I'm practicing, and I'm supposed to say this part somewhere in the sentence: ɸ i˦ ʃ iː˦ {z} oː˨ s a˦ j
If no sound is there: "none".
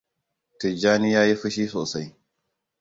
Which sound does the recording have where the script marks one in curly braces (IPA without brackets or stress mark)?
s